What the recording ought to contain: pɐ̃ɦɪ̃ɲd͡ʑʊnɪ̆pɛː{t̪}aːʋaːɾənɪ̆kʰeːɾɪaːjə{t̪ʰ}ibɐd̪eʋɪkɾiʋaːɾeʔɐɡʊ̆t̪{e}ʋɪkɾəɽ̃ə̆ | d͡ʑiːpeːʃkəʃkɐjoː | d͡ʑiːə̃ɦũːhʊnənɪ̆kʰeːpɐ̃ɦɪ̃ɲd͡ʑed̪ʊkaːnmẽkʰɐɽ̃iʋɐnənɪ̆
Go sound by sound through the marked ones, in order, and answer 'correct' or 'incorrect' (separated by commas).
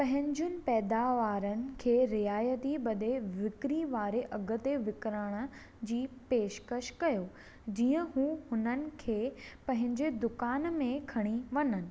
incorrect, incorrect, correct